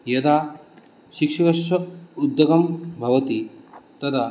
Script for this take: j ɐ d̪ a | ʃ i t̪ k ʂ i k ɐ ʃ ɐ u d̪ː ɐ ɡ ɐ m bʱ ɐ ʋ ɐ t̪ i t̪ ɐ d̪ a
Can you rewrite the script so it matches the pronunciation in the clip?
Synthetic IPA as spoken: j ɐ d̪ a | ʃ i k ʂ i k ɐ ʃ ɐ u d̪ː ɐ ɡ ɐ m bʱ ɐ ʋ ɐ t̪ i t̪ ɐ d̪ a